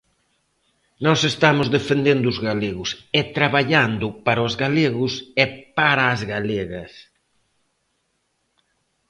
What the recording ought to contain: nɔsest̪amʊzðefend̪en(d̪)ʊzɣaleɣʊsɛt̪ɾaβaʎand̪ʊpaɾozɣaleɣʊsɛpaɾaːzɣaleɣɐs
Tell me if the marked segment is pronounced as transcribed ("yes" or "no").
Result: yes